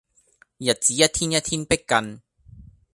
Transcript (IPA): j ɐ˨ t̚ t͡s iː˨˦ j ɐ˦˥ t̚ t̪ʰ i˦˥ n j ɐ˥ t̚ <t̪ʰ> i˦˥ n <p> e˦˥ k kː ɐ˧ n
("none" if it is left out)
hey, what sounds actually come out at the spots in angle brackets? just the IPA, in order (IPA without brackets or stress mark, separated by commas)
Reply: t̪ʰ, p